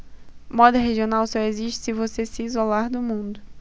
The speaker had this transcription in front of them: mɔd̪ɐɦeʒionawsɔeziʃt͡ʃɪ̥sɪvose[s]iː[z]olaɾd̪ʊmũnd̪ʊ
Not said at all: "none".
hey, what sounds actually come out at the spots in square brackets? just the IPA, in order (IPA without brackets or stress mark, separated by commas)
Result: s, z